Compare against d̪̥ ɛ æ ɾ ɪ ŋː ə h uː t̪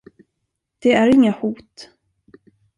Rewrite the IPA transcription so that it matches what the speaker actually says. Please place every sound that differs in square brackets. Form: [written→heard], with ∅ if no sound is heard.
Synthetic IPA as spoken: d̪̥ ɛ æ ɾ ɪ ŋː [ə→a] h uː t̪

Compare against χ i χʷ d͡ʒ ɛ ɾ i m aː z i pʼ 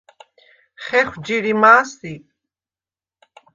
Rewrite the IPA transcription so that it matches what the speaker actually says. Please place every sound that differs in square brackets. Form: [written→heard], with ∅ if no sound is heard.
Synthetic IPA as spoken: χ [i→ɛ] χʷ d͡ʒ [ɛ→i] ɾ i m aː [z→s] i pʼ

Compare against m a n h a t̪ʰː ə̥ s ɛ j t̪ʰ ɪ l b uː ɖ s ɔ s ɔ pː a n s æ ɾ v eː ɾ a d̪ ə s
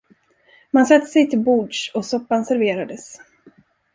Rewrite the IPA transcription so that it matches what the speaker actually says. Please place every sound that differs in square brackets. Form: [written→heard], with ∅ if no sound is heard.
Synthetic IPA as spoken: m a n [h→s] a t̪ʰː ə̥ s ɛ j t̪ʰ ɪ l b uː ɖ [s→ʂ] ɔ s ɔ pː a n s æ ɾ v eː ɾ a d̪ ə s

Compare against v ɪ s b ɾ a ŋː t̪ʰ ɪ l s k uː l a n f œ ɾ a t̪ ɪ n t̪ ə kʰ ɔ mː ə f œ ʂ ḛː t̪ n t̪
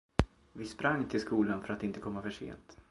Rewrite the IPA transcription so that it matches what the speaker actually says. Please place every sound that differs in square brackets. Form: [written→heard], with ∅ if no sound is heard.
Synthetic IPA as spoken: v ɪ s [b→p] ɾ a ŋː t̪ʰ ɪ l s k uː l a n f œ ɾ a t̪ ɪ n t̪ ə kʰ ɔ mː [ə→a] f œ ʂ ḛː [t̪→∅] n t̪

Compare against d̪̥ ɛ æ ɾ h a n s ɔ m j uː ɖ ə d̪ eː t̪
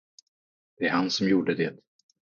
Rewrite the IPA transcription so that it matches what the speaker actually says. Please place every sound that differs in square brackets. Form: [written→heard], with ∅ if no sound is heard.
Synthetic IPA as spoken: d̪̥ ɛ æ ɾ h a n s ɔ m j uː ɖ ə d̪ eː t̪

